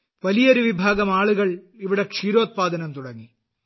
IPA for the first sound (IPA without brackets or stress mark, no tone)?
ʋ